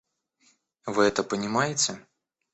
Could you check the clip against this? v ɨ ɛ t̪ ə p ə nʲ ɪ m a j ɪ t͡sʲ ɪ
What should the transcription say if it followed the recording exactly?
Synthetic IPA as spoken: v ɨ ɛ t̪ ə p ə nʲ ɪ m a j ɪ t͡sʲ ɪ